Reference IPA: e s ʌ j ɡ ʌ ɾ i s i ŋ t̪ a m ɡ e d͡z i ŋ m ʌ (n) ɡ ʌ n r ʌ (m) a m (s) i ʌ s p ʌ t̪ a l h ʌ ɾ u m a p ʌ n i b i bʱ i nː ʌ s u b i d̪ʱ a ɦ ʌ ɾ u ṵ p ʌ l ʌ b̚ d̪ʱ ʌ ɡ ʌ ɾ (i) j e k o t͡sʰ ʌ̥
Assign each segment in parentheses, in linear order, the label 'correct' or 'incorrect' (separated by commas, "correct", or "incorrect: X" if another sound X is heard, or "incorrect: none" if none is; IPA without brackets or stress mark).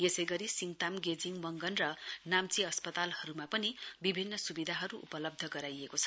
incorrect: ŋ, incorrect: n, incorrect: t͡s, incorrect: a